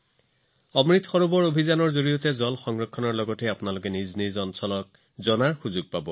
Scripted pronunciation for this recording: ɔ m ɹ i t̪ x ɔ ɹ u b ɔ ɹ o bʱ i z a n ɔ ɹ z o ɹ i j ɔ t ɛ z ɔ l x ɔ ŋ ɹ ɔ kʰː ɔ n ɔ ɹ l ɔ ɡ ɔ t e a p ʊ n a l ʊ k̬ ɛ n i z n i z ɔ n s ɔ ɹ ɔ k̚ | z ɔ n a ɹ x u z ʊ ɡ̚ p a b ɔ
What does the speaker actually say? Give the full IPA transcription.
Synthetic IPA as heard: ɔ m ɹ i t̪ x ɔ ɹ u b ɔ ɹ o bʱ i z a n ɔ ɹ z o ɹ i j ɔ t ɛ z ɔ l x ɔ ŋ ɹ ɔ kʰː ɔ n ɔ ɹ l ɔ ɡ ɔ t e a p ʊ n a l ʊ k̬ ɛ n i z n i z ɔ n s ɔ l ɔ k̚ | z ɔ n a ɹ x u z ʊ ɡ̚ p a b ɔ